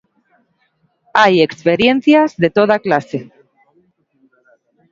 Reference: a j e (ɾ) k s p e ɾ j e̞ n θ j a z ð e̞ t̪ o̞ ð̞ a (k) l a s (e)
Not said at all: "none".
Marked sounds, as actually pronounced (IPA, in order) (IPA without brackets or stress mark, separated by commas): none, k, e